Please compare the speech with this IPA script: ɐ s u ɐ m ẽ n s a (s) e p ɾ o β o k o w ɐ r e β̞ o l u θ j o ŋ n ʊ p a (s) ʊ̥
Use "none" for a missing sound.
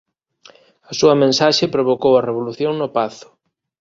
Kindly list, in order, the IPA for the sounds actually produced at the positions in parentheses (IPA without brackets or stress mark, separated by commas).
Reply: ʃ, θ